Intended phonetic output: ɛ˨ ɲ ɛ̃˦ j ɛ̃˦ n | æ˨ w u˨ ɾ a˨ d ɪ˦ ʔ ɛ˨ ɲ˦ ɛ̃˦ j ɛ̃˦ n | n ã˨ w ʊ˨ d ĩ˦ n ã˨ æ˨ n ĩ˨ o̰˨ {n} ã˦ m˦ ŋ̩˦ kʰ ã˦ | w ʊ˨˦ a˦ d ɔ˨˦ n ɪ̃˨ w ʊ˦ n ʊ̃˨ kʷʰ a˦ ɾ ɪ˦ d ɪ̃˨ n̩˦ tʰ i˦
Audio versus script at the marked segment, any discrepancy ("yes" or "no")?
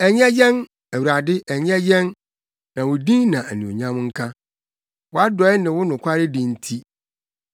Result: yes